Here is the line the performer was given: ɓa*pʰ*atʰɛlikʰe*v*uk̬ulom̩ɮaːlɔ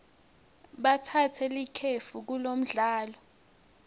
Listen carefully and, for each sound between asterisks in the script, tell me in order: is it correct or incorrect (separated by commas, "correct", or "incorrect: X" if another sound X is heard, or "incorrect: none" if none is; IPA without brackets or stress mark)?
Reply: incorrect: tʰ, incorrect: f